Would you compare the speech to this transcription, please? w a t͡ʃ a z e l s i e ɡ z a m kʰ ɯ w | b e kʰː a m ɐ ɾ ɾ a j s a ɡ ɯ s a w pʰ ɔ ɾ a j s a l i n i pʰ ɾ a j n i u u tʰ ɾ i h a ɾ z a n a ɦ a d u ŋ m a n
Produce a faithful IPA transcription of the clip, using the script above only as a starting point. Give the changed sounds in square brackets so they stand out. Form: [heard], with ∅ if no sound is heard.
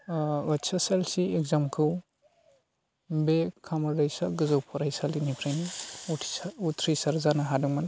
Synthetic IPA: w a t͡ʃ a [s] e l s i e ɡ z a m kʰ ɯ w | b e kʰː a m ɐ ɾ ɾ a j s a ɡ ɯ [z] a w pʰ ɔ ɾ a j s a l i n i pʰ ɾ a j n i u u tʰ ɾ i [s] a ɾ z a n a ɦ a d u ŋ m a n